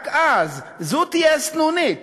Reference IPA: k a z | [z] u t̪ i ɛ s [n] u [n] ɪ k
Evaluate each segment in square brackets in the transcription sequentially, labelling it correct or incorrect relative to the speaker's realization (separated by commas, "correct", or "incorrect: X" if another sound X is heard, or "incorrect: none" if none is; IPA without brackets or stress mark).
correct, correct, correct